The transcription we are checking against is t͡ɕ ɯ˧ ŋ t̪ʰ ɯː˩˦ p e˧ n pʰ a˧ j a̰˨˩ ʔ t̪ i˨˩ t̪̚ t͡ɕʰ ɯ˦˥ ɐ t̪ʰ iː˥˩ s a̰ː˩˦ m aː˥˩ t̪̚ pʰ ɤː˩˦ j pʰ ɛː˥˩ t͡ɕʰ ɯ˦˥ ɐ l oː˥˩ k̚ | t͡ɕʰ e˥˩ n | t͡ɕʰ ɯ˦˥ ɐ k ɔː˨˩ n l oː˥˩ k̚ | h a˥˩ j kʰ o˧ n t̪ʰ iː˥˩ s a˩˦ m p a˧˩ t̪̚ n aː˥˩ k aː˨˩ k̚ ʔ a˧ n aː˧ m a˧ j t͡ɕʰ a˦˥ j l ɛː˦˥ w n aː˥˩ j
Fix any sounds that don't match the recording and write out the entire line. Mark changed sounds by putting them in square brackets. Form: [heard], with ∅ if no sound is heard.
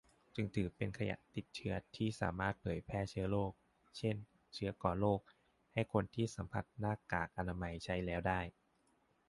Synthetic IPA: t͡ɕ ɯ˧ ŋ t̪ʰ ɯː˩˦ p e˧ n [kʰ] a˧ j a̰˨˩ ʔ t̪ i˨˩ t̪̚ t͡ɕʰ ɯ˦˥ ɐ t̪ʰ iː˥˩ s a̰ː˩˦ m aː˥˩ t̪̚ pʰ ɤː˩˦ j pʰ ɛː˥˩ t͡ɕʰ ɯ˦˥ ɐ l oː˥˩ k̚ | t͡ɕʰ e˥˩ n | t͡ɕʰ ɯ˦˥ ɐ k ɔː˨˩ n l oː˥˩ k̚ | h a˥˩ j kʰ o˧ n t̪ʰ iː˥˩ s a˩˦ m [pʰ] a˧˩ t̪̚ n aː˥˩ k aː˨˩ k̚ ʔ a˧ n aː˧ m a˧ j t͡ɕʰ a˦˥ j l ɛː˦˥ w [d] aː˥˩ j